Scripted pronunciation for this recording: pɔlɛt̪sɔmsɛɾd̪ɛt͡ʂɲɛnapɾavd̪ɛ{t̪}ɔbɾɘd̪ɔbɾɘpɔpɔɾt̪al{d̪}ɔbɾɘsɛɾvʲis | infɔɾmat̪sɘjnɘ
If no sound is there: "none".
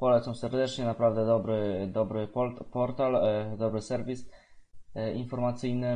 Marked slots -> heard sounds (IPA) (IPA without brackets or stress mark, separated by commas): d̪, d̪